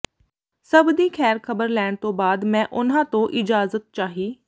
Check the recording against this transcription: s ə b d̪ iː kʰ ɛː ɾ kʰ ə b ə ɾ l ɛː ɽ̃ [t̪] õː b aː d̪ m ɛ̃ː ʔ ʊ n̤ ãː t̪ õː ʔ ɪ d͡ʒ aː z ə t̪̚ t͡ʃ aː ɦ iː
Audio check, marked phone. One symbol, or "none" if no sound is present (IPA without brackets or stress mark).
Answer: t̪